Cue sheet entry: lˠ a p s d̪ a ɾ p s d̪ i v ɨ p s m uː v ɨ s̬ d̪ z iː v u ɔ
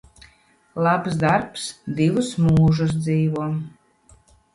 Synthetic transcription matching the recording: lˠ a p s d̪ a ɾ p s d̪ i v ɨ s m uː ʒ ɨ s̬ d̪ z iː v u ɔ